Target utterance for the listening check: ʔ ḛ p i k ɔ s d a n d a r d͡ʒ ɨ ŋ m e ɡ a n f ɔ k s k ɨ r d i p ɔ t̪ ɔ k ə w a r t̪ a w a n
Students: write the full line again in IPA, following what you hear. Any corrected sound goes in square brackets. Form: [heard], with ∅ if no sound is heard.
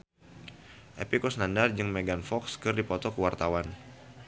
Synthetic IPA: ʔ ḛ p i k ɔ s [n] a n d a r d͡ʒ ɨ ŋ m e ɡ a n f ɔ k s k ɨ r d i p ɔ t̪ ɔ k ə w a r t̪ a w a n